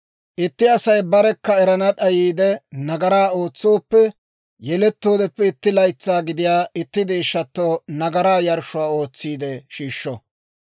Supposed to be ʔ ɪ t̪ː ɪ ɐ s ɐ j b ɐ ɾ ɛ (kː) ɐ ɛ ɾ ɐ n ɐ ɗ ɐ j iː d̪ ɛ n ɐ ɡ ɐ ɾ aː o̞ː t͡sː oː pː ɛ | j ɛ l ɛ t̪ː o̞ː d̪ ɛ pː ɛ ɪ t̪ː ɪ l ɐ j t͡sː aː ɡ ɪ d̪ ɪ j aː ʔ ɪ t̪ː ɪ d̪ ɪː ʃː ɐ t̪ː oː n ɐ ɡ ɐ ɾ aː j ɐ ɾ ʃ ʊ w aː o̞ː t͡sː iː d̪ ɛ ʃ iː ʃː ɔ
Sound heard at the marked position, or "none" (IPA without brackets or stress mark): kː